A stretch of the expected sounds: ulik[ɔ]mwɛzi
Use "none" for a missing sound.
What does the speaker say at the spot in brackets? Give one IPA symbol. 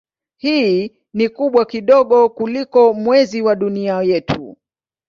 ɔ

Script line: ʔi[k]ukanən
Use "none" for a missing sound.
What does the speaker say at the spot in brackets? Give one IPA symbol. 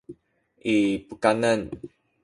p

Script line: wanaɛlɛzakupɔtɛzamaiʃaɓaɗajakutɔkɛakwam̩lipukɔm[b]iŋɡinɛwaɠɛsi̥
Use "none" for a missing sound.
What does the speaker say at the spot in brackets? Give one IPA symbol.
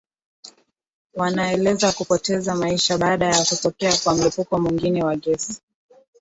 w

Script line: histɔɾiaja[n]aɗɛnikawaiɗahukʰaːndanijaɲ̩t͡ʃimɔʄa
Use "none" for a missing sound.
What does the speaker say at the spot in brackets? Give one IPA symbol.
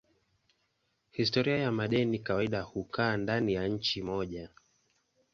m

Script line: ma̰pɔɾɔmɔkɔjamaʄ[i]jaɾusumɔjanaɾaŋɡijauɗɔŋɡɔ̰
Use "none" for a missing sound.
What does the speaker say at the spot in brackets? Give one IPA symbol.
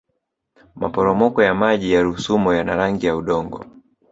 i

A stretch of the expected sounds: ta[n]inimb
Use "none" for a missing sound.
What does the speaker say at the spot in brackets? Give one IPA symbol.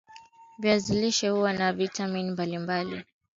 m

